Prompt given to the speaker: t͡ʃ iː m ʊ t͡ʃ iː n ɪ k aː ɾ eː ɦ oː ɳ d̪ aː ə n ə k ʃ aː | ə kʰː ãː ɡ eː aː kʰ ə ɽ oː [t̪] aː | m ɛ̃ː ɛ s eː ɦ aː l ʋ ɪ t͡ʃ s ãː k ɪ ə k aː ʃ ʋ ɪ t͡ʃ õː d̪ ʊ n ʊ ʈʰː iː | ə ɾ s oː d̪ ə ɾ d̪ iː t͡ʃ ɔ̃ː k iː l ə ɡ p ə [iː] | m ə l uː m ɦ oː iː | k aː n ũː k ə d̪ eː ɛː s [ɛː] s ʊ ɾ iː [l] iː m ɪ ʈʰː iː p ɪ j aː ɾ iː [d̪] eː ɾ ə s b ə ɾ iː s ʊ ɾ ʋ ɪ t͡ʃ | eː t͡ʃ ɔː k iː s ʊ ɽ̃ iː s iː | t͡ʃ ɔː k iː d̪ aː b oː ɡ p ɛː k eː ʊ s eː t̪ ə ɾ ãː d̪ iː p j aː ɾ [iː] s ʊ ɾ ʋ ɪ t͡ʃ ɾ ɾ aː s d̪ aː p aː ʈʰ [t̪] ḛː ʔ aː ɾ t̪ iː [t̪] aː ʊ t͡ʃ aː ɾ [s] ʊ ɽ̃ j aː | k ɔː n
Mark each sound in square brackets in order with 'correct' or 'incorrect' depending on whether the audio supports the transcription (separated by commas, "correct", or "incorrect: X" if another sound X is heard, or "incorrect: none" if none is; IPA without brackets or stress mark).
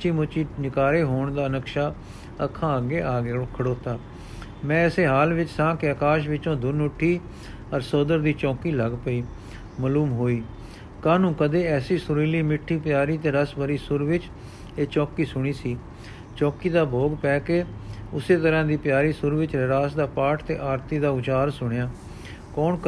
correct, correct, incorrect: iː, correct, incorrect: t̪, correct, correct, incorrect: d̪, correct